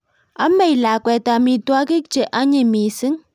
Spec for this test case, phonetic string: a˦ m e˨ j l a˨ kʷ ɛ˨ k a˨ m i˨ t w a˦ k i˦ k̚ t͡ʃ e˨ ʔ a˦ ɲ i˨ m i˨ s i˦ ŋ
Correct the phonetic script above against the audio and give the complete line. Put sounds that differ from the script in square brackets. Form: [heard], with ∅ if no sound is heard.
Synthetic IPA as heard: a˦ m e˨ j l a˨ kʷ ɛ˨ [t] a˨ m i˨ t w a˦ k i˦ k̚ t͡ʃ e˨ ʔ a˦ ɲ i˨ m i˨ s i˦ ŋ